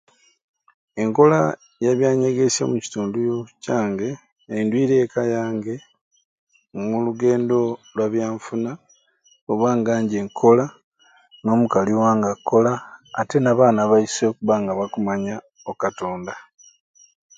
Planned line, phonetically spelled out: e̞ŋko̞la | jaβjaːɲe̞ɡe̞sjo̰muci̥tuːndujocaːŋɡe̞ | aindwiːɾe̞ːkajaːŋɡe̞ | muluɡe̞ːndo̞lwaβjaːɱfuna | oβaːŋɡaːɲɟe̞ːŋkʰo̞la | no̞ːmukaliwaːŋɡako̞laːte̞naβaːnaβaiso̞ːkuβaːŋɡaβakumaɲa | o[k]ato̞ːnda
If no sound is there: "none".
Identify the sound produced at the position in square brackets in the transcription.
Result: k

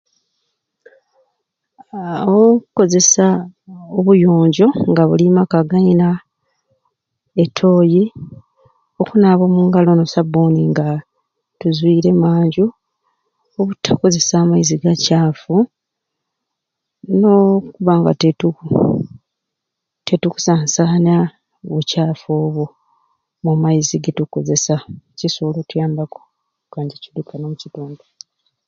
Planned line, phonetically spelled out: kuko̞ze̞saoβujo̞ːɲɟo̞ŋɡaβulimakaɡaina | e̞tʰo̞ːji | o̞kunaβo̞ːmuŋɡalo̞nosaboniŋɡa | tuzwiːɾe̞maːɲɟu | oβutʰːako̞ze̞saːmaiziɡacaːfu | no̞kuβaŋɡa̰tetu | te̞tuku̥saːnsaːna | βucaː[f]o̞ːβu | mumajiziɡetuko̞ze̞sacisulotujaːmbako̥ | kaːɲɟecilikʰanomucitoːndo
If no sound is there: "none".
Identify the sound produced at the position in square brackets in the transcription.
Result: f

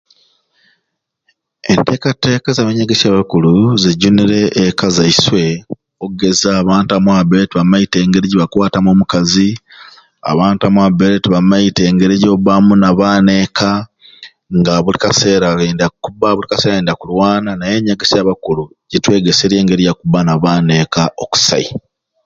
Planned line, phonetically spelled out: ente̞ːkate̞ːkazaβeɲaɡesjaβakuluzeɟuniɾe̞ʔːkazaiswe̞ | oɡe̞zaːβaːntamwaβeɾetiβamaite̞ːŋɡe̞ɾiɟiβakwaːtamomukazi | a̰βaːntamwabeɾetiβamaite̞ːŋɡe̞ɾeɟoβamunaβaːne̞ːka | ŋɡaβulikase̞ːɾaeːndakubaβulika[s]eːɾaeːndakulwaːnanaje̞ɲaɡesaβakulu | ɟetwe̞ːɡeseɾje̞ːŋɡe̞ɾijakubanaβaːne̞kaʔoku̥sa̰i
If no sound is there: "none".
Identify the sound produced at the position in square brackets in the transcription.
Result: s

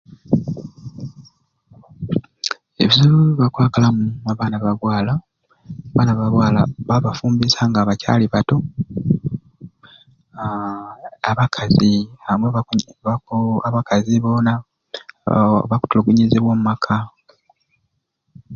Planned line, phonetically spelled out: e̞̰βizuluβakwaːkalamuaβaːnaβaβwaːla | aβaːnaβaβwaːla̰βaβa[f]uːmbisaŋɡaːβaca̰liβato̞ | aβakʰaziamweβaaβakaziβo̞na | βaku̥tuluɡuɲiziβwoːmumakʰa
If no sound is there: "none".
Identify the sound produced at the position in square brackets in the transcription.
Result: f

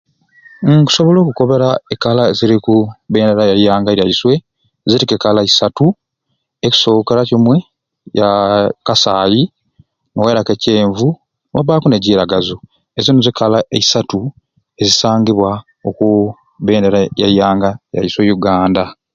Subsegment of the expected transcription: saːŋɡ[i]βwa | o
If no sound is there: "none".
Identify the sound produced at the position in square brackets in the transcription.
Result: i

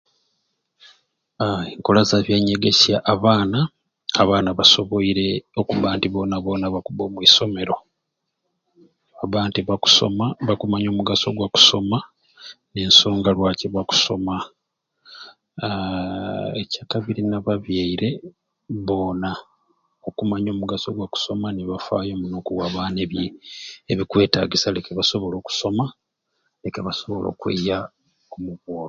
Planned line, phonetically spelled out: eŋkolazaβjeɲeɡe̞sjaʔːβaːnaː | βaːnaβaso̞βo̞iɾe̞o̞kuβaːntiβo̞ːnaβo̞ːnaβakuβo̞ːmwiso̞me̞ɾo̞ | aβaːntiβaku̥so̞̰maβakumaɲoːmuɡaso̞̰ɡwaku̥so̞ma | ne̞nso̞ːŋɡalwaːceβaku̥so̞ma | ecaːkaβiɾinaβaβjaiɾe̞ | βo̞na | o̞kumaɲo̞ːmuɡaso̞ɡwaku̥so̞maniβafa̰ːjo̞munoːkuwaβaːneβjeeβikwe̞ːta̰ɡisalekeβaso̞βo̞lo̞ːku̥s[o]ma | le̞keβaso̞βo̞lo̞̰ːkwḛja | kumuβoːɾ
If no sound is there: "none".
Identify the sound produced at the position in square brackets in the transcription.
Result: o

